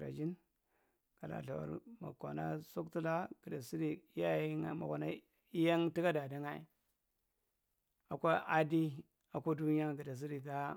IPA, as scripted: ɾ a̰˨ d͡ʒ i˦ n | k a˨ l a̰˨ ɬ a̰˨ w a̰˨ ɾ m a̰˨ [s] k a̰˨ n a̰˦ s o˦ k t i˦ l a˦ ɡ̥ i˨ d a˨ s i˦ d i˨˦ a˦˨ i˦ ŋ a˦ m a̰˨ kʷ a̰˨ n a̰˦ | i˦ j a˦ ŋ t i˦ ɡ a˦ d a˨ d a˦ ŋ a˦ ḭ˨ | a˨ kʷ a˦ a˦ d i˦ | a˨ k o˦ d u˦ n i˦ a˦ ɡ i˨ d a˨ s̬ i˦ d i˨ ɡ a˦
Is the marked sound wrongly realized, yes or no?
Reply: yes